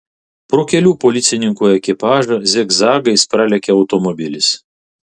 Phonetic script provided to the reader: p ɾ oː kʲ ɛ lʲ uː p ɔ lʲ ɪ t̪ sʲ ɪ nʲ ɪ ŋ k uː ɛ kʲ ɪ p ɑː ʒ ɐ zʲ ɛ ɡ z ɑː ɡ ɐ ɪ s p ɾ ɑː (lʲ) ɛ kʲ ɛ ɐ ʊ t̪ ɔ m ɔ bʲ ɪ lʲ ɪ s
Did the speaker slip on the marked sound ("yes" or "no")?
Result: no